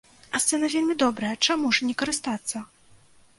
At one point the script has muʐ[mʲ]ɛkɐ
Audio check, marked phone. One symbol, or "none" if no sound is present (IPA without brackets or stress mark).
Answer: nʲ